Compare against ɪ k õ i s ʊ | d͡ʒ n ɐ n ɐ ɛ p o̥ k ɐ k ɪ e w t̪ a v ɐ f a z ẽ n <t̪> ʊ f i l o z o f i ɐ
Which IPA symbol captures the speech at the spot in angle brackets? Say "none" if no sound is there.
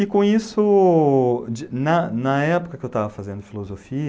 d̪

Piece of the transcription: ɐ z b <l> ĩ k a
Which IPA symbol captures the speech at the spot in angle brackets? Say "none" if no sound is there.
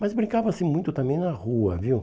ɾ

